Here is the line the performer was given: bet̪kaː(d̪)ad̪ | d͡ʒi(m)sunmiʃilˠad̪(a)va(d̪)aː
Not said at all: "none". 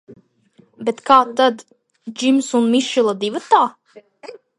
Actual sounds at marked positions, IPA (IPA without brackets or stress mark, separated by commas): t̪, m, i, t̪